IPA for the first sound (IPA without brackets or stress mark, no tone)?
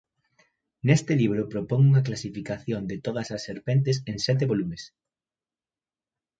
n